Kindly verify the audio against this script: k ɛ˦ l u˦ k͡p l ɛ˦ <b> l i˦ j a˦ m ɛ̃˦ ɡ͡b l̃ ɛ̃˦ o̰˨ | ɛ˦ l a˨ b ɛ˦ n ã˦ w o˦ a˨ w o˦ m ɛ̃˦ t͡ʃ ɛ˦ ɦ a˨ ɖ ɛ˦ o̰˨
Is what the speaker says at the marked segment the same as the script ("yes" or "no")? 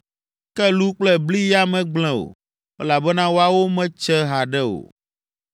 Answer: yes